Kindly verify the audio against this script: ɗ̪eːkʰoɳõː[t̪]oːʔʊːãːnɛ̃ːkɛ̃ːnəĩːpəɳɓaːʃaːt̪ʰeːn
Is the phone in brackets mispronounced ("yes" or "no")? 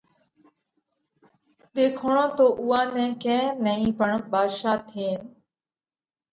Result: no